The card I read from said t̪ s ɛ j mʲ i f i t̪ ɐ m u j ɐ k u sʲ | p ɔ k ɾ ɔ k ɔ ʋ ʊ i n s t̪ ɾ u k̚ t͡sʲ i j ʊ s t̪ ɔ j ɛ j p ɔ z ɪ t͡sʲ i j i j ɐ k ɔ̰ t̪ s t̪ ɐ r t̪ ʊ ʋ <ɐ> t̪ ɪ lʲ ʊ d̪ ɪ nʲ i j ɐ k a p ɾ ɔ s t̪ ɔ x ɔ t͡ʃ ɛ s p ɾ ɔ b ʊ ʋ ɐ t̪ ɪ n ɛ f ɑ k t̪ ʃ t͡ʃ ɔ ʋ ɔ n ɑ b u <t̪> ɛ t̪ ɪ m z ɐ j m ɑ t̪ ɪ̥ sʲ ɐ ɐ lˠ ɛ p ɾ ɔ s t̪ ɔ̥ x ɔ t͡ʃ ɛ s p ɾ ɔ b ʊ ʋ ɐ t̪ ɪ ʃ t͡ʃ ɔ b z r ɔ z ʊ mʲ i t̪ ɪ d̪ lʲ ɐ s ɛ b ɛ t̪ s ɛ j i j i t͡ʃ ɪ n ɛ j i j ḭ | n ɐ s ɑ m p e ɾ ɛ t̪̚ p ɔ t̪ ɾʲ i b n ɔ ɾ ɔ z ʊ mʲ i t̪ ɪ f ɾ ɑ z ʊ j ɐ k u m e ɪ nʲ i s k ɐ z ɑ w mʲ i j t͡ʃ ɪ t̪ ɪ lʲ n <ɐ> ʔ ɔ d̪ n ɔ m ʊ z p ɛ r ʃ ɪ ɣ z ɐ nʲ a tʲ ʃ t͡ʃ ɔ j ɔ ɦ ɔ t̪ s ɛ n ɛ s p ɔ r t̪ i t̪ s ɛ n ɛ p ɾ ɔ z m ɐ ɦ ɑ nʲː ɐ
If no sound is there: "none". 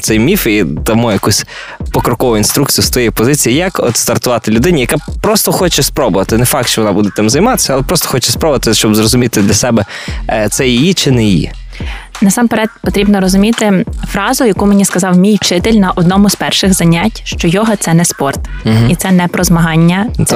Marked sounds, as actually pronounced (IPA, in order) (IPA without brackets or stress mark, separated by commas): ɑ, d̪, ɐ